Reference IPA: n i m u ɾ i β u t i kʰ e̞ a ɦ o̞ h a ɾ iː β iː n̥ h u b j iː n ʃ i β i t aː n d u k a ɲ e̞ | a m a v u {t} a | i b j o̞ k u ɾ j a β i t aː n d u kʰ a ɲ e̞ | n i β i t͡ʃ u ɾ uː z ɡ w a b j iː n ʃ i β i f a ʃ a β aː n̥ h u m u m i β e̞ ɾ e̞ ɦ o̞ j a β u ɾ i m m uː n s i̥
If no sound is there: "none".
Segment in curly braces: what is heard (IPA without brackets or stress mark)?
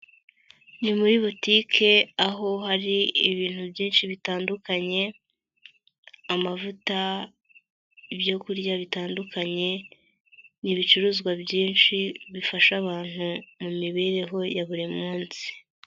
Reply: t